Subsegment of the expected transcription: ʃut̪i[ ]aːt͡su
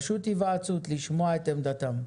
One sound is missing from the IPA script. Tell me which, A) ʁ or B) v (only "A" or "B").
B